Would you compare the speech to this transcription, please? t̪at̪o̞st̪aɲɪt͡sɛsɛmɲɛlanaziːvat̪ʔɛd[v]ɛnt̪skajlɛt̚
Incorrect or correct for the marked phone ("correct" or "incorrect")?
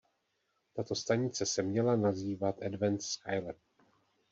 correct